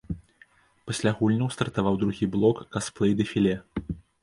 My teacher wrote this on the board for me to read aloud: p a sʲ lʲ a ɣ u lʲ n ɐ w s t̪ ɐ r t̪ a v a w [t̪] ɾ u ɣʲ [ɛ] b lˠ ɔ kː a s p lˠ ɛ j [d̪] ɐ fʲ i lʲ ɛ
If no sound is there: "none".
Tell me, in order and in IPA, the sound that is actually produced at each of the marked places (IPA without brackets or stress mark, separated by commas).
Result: d̪, i, d̪